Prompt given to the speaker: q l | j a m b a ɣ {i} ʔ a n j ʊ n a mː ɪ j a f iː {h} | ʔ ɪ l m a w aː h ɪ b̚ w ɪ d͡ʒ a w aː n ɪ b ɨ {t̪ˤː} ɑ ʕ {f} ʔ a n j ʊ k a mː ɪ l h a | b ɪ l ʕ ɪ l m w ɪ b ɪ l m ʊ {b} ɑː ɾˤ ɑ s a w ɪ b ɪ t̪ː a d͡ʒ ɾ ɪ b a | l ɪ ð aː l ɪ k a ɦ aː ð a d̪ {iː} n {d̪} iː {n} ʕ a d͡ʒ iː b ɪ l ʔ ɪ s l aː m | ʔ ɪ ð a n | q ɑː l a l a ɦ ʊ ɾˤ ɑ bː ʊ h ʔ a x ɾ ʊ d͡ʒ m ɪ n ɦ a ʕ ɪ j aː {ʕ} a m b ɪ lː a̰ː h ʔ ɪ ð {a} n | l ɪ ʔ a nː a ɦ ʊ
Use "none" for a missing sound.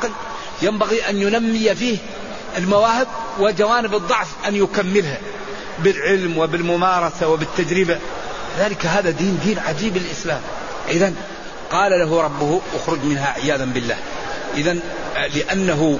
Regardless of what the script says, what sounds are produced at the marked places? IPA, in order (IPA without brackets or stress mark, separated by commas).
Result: i, h, d̪ˤː, f, m, iː, d̪, n, ð, a